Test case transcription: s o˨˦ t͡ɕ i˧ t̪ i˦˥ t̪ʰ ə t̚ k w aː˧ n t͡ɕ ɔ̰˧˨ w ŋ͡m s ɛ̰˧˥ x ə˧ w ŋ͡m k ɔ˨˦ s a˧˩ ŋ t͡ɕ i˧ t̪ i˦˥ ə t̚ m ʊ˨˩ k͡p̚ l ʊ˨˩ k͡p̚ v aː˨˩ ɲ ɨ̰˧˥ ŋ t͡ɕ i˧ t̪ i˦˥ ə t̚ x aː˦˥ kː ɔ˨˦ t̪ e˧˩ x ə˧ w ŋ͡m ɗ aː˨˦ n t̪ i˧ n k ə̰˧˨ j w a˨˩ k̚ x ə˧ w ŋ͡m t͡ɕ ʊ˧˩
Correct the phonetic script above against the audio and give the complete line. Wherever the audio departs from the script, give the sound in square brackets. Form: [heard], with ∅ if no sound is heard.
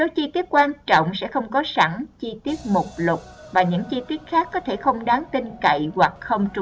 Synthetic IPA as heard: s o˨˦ t͡ɕ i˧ t̪ i˦˥ [∅] ə t̚ k w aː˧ n t͡ɕ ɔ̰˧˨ w ŋ͡m s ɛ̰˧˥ x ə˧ w ŋ͡m k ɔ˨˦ s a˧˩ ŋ t͡ɕ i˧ t̪ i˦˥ ə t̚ m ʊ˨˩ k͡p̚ l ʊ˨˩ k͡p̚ v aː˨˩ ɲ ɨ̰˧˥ ŋ t͡ɕ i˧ t̪ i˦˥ ə t̚ x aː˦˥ kː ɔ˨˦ [t̪ʰ] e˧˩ x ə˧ w ŋ͡m ɗ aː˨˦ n t̪ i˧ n k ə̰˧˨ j w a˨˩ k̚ x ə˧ w ŋ͡m t͡ɕ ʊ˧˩

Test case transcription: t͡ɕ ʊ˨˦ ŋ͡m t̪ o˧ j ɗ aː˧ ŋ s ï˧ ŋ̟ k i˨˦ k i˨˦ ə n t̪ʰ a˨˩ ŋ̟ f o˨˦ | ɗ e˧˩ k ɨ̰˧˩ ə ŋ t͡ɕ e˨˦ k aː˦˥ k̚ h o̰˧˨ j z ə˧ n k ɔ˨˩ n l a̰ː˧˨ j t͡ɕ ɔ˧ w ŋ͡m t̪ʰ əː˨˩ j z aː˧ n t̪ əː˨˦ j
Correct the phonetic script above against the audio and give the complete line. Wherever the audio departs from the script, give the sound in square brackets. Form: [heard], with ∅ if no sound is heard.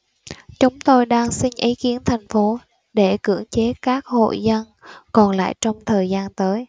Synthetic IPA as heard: t͡ɕ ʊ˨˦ ŋ͡m t̪ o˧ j ɗ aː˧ ŋ s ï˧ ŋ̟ [ʔ] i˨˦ k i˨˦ ə n t̪ʰ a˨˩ ŋ̟ f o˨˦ | ɗ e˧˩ k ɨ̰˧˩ ə ŋ t͡ɕ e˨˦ k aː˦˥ k̚ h o̰˧˨ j z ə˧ n k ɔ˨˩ n l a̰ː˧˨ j t͡ɕ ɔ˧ w ŋ͡m t̪ʰ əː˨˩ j z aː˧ n t̪ əː˨˦ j

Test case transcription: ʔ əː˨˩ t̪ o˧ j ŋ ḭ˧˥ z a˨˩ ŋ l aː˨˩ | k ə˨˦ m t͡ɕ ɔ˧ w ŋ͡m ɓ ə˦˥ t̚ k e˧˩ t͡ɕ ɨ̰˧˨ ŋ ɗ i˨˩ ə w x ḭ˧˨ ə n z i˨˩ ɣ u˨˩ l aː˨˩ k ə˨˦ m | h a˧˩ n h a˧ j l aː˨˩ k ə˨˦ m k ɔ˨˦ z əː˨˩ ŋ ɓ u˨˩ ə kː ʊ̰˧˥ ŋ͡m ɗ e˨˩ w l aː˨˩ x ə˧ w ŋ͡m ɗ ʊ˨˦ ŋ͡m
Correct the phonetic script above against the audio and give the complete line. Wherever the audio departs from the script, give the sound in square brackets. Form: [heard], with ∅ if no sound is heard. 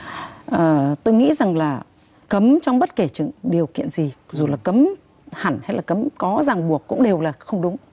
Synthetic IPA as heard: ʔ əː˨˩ t̪ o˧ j ŋ ḭ˧˥ z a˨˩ ŋ l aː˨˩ | k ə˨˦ m t͡ɕ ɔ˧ w ŋ͡m ɓ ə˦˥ t̚ k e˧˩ t͡ɕ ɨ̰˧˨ ŋ ɗ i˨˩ ə w [k] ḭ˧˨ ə n z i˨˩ [z] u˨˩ l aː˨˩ k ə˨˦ m | h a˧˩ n h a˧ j l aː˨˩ k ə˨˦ m k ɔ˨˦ z [aː˨˩] ŋ ɓ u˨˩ ə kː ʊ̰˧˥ ŋ͡m ɗ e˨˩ w l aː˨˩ x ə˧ w ŋ͡m ɗ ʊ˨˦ ŋ͡m

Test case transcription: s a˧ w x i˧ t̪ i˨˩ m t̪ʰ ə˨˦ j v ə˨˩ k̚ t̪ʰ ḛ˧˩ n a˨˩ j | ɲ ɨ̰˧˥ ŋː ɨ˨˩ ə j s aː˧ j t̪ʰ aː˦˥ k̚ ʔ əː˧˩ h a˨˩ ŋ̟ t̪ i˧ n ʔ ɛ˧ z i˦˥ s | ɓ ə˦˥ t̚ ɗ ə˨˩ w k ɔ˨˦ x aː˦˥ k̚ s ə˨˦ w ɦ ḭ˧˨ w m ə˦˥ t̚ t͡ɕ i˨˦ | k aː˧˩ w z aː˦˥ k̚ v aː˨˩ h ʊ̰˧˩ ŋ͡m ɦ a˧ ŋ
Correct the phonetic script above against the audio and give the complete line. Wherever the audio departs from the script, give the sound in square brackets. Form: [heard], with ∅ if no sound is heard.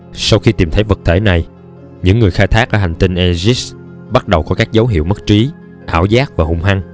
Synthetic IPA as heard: s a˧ w x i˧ t̪ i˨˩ m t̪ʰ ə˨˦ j v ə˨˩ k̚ t̪ʰ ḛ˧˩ n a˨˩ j | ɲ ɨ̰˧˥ ŋː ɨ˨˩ ə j [x] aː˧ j t̪ʰ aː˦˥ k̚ ʔ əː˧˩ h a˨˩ ŋ̟ t̪ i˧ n ʔ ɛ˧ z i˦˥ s | ɓ [a˦˥] t̚ ɗ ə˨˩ w k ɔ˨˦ [k] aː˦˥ k̚ [z] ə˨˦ w ɦ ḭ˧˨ w m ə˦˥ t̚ t͡ɕ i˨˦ | [ʔ] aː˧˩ w z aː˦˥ k̚ v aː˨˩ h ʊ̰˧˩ ŋ͡m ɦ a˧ ŋ

